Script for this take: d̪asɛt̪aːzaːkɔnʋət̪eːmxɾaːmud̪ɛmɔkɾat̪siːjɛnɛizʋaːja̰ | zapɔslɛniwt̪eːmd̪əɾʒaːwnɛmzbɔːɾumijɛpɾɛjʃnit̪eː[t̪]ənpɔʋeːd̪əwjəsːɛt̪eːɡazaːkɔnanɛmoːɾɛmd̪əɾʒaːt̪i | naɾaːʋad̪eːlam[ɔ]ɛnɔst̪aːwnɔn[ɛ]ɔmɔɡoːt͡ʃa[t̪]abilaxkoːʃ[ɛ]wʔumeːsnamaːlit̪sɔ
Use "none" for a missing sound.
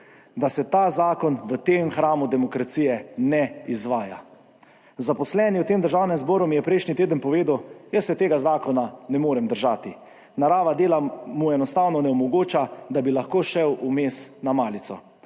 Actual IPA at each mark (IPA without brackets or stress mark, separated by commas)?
d̪, u, ɛ, d̪, ɛ